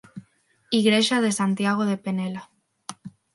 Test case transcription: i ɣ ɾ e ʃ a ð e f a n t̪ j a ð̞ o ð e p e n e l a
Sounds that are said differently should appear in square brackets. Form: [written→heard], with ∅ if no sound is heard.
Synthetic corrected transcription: i ɣ ɾ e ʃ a ð e [f→s] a n t̪ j a [ð̞→ɣ̞] o ð e p e n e l a